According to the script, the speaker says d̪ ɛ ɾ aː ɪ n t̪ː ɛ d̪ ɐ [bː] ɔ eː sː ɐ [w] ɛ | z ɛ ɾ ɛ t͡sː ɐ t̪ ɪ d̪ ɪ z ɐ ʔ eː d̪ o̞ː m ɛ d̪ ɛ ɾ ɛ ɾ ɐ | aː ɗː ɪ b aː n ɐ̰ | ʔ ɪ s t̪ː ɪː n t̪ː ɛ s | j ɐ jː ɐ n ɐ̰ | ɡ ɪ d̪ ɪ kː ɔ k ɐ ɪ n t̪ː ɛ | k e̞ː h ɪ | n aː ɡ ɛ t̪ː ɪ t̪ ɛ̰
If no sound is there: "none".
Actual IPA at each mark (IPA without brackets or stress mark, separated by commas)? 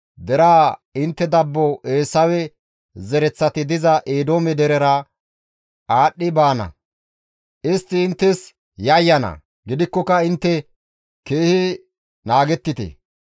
bː, w